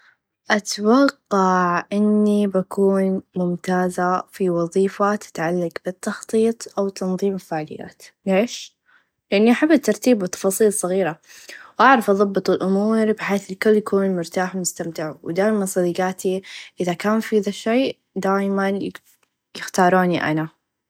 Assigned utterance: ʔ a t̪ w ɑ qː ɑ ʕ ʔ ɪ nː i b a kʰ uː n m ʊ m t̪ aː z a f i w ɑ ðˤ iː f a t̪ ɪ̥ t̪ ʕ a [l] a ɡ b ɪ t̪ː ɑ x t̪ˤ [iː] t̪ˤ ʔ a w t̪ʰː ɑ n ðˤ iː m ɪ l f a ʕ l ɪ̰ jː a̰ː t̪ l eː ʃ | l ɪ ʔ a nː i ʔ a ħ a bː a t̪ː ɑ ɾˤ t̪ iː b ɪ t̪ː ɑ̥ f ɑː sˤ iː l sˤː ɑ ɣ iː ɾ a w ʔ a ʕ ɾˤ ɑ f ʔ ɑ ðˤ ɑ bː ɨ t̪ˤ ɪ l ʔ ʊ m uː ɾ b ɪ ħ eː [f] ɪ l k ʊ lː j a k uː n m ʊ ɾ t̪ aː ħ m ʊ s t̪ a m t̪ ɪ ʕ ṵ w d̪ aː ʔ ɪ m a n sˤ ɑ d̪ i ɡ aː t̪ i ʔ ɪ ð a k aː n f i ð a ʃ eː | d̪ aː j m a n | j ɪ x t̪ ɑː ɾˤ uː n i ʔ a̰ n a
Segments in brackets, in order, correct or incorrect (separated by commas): incorrect, correct, incorrect